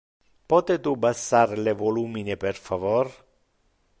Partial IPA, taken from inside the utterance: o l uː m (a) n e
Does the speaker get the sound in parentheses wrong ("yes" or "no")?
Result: yes